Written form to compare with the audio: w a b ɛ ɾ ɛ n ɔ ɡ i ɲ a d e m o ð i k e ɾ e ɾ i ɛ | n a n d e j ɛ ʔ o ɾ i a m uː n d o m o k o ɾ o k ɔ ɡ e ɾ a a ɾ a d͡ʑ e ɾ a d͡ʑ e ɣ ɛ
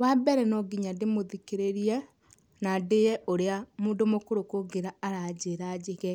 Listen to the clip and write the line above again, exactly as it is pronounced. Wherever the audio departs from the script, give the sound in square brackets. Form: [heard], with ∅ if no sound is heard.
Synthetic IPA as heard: w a b ɛ ɾ ɛ n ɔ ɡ i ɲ a d e m o ð i k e ɾ e ɾ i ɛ | n a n d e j ɛ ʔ o ɾ [e] a m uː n d o m o k o ɾ o k [o] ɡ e ɾ a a ɾ a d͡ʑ e ɾ a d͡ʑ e ɣ ɛ